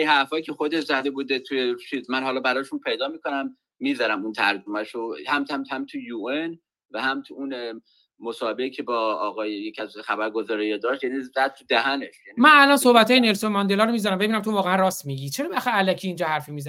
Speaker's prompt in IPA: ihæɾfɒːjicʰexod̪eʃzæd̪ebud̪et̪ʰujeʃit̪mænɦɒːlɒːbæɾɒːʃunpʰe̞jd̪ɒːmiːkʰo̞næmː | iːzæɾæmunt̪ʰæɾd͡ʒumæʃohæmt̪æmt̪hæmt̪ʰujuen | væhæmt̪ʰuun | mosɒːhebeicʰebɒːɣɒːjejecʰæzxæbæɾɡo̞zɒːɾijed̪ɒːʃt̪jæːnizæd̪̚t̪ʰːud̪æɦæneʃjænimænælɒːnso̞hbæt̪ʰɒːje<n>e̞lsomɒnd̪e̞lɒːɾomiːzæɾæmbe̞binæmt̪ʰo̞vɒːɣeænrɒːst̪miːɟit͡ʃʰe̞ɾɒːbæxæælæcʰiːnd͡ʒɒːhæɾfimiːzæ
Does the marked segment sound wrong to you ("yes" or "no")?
no